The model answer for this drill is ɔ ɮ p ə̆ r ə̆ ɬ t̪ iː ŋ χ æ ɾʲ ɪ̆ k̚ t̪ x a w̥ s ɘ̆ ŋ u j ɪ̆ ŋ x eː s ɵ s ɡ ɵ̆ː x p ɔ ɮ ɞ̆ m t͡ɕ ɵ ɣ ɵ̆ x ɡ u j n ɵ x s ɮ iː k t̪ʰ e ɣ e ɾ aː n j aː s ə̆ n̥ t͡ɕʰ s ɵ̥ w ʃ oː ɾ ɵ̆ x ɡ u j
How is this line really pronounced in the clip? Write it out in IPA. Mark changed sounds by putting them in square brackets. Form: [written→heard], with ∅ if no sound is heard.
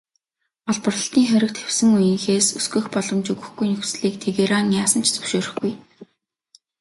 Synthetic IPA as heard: ɔ ɮ p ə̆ r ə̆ ɬ t̪ iː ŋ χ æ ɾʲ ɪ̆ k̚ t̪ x [a→e] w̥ s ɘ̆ ŋ u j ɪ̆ ŋ x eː s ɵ s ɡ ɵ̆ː x p ɔ ɮ ɞ̆ m t͡ɕ ɵ ɣ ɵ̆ x ɡ u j n ɵ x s ɮ iː k t̪ʰ e ɣ e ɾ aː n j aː s ə̆ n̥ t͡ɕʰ [s→t͡s] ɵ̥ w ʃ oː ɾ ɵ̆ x ɡ u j